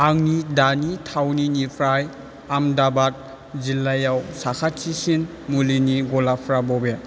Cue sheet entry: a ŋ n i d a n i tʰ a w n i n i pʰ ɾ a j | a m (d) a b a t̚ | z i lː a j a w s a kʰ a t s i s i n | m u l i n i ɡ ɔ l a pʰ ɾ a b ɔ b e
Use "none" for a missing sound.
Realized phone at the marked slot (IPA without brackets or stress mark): d